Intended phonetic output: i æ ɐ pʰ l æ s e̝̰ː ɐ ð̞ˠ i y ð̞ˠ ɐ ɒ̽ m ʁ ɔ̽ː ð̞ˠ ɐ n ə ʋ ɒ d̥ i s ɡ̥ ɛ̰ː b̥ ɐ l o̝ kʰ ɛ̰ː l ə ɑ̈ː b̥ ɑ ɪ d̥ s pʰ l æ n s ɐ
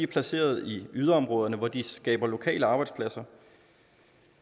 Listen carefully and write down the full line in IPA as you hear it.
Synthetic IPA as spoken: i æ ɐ pʰ l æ s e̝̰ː ɐ ð̞ˠ i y ð̞ˠ ɐ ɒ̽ m ʁ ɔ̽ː ð̞ˠ ɐ n ə ʋ ɒ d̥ i s ɡ̥ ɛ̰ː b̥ ɐ l o̝ kʰ ɛ̰ː l ə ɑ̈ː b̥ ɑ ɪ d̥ s pʰ l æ s ɐ